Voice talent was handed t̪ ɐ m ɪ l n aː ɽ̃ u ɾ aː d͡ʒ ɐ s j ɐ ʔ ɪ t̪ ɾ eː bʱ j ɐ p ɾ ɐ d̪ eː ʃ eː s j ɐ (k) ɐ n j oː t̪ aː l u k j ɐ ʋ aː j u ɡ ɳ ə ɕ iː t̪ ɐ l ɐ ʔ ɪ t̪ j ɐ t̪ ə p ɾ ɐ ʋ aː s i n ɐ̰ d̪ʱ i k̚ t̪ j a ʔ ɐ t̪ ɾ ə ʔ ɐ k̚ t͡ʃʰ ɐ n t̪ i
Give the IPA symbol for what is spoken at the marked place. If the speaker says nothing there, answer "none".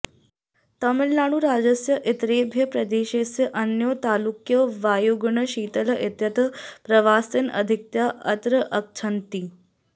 ʔ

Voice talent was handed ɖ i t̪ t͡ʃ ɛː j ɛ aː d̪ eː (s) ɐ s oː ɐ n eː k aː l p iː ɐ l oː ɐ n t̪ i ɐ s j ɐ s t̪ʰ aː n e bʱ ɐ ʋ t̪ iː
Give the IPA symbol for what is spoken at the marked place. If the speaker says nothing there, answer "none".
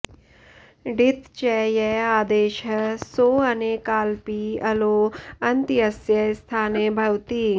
ʃ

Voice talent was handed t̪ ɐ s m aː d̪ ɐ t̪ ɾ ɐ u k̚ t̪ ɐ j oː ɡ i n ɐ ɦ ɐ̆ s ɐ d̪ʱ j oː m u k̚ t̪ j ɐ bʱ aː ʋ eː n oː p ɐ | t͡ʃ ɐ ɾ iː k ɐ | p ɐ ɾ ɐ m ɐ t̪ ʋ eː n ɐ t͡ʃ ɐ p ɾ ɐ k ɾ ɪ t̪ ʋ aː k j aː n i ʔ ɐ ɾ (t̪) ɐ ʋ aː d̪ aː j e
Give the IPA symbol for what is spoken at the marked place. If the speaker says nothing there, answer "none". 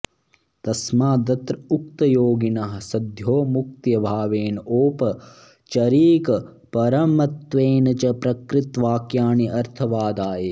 t̪ʰ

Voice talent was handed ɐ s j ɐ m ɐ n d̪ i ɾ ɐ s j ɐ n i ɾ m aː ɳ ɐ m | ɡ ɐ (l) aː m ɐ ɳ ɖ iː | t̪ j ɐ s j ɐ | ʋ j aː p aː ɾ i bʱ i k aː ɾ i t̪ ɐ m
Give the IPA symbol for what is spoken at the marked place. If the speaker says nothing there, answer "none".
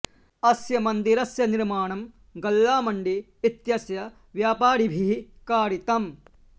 lː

